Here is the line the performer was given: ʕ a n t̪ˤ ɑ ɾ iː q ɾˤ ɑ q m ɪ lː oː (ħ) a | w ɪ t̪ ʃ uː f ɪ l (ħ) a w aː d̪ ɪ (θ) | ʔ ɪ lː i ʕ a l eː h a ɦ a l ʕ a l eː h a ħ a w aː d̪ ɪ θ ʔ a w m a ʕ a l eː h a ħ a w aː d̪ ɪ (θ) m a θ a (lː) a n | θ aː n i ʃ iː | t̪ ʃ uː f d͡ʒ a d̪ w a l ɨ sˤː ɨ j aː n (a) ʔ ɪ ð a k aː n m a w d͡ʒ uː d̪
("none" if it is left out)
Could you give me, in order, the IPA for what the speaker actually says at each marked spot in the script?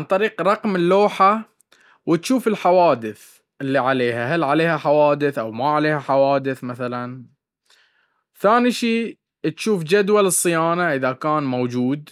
ħ, ħ, θ, θ, l, a

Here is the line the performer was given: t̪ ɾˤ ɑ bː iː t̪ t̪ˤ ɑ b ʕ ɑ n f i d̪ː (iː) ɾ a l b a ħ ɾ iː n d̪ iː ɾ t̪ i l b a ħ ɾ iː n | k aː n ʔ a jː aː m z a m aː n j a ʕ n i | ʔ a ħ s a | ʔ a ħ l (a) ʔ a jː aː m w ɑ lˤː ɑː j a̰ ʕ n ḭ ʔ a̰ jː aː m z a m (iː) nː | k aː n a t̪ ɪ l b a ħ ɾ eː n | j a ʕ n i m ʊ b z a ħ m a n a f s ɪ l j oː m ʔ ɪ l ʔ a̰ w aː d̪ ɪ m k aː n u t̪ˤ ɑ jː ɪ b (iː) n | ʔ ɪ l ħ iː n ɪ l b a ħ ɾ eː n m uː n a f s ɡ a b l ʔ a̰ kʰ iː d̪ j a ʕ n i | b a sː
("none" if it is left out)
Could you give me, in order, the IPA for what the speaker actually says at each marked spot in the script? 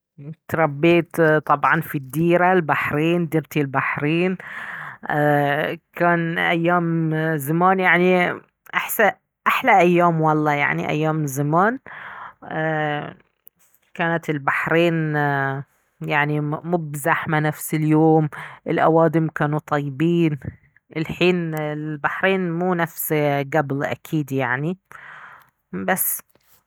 iː, a, aː, iː

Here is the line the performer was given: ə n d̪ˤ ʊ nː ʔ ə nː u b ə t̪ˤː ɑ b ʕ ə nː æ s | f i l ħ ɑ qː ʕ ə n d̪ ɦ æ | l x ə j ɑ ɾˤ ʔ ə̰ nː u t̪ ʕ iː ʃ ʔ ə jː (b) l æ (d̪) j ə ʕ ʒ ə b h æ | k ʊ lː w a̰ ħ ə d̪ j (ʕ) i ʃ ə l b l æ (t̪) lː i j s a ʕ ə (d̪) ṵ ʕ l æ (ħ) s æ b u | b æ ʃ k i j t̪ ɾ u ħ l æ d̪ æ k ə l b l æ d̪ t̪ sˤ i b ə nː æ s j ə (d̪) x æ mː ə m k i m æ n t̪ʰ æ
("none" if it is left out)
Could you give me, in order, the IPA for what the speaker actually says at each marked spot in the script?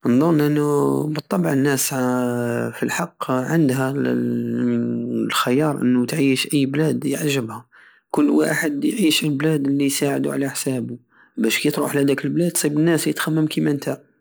b, d̪, ʕ, d̪, d̪, ħ, t̪

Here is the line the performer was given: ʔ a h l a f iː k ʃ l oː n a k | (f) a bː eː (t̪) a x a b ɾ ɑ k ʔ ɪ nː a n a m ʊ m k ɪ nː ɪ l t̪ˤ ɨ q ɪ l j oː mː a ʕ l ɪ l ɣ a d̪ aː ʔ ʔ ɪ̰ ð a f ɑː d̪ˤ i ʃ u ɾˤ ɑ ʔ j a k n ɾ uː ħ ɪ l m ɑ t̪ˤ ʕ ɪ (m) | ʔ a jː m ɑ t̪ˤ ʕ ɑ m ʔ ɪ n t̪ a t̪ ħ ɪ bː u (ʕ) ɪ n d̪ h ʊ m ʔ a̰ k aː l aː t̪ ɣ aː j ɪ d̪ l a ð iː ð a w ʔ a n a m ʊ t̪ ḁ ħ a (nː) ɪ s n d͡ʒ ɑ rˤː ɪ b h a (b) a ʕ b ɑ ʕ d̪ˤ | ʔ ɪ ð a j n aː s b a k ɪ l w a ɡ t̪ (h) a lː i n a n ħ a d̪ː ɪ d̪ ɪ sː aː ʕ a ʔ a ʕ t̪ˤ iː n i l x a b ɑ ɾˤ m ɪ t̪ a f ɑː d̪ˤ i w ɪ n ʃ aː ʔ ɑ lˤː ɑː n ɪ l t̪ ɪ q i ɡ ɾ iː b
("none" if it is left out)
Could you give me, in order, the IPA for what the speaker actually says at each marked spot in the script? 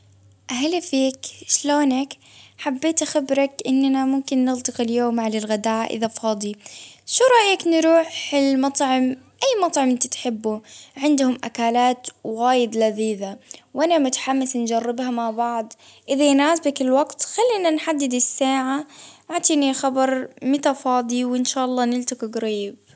ħ, t̪, m, ʕ, mː, m, x

